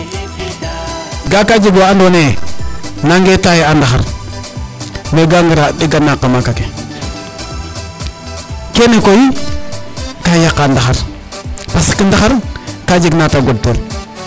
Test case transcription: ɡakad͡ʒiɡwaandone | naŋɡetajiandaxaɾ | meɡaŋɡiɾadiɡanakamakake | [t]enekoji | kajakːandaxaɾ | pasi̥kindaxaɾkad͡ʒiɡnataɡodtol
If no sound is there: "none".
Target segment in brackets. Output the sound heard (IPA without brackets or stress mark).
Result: k